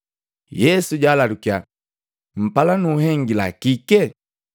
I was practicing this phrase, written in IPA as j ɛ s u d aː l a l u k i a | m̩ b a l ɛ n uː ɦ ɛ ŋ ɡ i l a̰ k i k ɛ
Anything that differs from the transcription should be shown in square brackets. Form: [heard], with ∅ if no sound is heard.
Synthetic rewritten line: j ɛ s u [ɟ] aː l a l u k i a | m̩ [p] a l [a] n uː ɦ ɛ ŋ ɡ i l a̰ k i k ɛ